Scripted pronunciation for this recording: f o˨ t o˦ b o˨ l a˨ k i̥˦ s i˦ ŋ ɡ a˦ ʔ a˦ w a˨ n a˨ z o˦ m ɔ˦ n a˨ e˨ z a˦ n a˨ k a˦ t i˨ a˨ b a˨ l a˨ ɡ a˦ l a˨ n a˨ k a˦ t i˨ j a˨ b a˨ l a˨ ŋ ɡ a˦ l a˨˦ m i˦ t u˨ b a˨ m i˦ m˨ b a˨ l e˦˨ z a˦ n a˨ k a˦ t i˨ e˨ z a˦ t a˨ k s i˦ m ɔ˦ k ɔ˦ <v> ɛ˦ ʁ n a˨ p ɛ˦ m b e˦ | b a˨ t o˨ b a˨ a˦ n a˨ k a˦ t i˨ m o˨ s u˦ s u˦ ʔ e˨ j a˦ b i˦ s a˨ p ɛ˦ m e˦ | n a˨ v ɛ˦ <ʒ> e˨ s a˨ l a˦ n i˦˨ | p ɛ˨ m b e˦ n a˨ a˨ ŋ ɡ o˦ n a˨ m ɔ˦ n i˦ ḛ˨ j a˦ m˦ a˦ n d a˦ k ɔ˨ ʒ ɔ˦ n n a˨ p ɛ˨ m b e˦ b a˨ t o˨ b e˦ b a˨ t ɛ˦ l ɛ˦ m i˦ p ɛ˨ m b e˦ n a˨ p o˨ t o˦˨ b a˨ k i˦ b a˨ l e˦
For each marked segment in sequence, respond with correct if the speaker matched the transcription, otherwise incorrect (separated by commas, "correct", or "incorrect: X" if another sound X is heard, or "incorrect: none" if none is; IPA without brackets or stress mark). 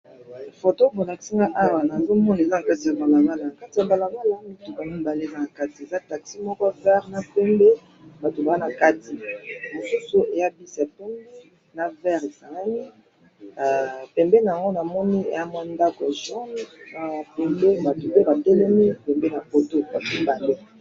correct, incorrect: ʁ